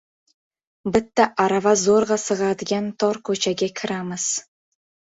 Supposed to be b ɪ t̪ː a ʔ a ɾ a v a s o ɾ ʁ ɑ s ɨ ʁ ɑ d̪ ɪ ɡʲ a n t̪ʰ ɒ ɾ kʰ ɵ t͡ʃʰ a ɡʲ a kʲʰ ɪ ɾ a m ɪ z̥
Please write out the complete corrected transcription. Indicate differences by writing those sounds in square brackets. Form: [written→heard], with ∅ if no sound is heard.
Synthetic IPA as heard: b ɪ t̪ː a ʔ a ɾ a v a [s→z] o ɾ ʁ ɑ s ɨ ʁ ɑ d̪ ɪ ɡʲ a n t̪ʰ ɒ ɾ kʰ ɵ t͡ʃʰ a ɡʲ a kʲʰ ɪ ɾ a m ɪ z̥